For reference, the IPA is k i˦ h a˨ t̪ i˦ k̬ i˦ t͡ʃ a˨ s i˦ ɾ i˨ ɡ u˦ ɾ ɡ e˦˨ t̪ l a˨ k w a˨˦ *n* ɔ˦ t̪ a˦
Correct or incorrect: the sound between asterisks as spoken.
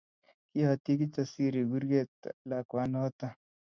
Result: correct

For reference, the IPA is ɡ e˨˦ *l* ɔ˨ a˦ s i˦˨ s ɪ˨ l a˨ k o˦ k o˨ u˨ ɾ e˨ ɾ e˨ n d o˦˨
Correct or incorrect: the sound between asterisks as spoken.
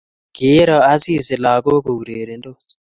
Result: incorrect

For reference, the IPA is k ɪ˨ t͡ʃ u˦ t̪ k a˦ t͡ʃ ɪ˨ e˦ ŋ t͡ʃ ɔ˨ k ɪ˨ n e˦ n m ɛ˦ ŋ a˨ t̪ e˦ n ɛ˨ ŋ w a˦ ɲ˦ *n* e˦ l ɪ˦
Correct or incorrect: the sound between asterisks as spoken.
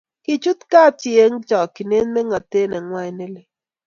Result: correct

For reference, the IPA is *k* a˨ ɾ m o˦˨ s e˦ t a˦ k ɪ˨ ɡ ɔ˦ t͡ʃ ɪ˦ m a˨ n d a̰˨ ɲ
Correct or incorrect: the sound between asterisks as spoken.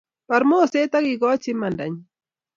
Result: incorrect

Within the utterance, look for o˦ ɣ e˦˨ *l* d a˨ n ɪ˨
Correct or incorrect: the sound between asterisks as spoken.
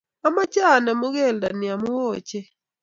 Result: correct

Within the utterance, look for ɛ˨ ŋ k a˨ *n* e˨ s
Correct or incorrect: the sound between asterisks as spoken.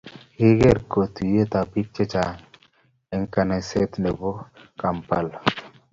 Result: correct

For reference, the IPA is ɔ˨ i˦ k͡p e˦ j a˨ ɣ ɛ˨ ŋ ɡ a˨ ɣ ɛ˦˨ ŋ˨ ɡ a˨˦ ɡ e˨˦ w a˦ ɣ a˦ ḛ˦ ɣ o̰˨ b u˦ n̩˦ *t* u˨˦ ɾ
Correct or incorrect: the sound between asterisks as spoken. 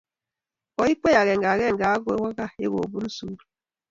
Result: incorrect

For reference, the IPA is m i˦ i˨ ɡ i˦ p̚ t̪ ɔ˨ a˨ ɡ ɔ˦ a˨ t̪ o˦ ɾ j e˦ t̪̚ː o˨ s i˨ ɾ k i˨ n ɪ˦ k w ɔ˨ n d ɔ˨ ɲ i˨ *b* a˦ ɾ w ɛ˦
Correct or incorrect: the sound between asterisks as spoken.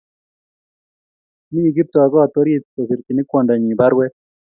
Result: correct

